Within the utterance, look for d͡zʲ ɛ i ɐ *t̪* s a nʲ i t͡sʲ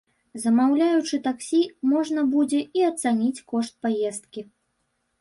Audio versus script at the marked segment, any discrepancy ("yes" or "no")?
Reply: no